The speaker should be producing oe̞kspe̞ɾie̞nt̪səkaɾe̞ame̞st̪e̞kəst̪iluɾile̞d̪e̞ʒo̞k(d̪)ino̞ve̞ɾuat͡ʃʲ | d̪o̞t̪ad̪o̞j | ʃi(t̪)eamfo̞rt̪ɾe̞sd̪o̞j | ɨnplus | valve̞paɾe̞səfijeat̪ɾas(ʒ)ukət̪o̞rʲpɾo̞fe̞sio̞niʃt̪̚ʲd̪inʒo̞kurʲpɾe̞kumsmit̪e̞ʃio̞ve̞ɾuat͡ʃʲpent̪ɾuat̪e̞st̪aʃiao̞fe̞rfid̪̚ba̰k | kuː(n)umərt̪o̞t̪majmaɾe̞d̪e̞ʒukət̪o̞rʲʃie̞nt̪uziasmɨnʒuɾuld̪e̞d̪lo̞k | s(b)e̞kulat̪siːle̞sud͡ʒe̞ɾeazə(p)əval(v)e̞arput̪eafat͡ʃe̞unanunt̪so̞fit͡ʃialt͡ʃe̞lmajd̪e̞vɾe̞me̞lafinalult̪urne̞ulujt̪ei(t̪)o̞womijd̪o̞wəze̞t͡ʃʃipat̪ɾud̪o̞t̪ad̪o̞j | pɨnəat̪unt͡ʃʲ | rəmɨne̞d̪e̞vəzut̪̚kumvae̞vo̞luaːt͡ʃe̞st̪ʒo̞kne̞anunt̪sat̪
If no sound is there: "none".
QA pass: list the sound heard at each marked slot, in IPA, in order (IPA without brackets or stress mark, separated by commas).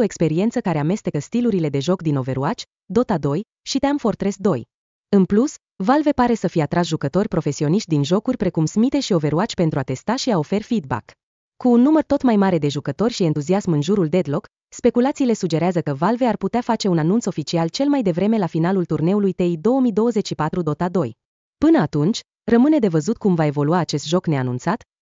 d̪, t̪, ʒ, nː, p, k, v, d̪